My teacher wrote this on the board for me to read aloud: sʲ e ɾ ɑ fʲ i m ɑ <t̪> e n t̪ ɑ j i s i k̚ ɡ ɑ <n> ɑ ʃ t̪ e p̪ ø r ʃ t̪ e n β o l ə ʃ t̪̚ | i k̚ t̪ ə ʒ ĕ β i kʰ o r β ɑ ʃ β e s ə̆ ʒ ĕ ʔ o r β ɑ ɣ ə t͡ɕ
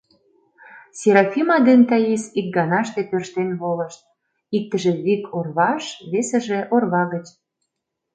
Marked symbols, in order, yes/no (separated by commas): no, yes